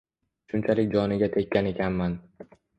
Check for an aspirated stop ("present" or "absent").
present